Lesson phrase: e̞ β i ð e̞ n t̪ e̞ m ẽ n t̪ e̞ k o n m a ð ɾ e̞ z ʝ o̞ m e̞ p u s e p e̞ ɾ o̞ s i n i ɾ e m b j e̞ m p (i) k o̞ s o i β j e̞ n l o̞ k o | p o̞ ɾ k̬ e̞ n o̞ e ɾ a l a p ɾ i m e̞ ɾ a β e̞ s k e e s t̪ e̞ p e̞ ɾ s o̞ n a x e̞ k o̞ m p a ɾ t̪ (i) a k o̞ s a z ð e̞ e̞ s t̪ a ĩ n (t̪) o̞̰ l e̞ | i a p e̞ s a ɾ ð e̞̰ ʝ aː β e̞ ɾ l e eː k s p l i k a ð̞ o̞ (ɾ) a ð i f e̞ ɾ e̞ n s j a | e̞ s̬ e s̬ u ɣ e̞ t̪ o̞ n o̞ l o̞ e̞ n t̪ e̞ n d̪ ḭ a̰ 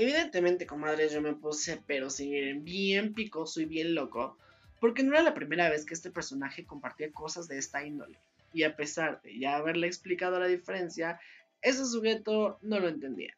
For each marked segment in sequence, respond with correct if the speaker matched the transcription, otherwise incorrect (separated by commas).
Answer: correct, correct, incorrect, incorrect